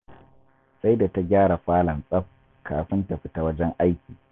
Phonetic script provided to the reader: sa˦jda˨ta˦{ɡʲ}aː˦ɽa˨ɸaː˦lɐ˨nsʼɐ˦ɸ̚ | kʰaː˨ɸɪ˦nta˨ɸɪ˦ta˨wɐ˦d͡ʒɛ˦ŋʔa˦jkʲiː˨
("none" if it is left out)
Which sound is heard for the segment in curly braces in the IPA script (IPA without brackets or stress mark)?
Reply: ɡʲ